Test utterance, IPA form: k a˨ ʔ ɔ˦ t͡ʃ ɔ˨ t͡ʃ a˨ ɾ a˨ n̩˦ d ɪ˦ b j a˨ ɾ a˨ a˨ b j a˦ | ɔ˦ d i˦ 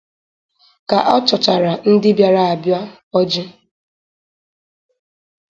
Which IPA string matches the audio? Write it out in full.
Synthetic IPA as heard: k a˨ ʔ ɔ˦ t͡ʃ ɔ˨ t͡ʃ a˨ ɾ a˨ n̩˦ d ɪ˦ b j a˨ ɾ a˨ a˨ b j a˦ | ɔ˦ d͡ʒ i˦

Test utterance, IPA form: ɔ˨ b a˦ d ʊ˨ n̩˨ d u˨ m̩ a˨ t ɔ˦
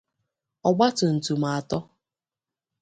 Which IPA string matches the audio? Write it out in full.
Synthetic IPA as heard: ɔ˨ ɡ͡b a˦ t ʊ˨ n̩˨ t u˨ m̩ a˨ t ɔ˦

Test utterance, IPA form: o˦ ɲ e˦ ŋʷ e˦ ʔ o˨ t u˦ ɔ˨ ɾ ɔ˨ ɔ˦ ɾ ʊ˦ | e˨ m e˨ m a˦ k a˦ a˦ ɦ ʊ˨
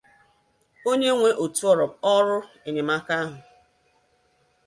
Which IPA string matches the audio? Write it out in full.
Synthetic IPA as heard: o˦ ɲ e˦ ŋʷ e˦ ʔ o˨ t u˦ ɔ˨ ɾ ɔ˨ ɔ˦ ɾ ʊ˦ | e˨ ɲ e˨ m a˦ k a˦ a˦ ɦ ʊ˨

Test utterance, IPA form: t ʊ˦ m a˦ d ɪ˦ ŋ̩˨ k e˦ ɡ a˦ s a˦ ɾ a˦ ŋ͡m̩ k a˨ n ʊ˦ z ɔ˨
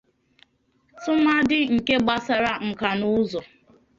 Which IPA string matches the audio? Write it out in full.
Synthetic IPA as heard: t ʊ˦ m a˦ d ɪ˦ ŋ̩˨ k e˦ ɡ͡b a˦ s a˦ ɾ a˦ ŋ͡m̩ k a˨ n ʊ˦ z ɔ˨

